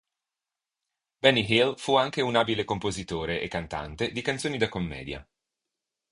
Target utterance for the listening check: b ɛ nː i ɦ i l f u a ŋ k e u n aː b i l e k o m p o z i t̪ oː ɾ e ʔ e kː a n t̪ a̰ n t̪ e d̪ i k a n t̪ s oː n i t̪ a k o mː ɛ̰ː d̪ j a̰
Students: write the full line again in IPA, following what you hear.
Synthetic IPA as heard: b ɛ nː i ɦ i l f u a ŋ k e u n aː b i l e k o m p o z i t̪ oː ɾ e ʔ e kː a n t̪ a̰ n t̪ e d̪ i k a n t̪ s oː n i d̪ a k o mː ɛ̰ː d̪ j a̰